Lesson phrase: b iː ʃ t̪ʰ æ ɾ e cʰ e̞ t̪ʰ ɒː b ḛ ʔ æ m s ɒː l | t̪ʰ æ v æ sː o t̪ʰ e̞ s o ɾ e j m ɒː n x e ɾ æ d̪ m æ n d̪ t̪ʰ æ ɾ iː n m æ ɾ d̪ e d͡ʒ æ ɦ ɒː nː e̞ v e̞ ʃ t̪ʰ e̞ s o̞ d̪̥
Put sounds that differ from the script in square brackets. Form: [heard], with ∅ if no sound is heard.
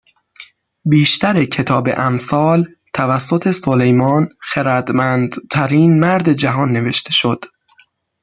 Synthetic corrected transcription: b iː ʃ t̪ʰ æ ɾ e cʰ e̞ t̪ʰ ɒː b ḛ ʔ æ m s ɒː l | t̪ʰ æ v æ sː o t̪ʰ e̞ s o [l] e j m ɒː n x e ɾ æ d̪ m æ n d̪ t̪ʰ æ ɾ iː n m æ ɾ d̪ e d͡ʒ æ ɦ ɒː nː e̞ v e̞ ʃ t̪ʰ e̞ [ʃ] o̞ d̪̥